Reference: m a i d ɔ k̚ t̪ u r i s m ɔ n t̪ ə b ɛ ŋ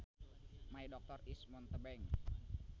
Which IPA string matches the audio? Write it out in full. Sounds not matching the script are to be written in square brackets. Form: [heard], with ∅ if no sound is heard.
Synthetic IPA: m a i d ɔ k̚ t̪ [ɔ] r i s m ɔ n t̪ ə b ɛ ŋ